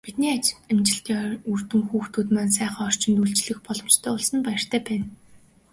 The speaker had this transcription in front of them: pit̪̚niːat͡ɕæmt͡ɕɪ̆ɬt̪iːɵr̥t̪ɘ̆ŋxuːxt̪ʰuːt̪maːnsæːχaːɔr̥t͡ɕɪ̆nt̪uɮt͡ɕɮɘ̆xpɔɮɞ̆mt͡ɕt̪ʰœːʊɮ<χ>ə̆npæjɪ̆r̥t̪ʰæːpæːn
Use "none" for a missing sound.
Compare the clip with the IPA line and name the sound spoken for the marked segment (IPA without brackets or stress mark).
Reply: s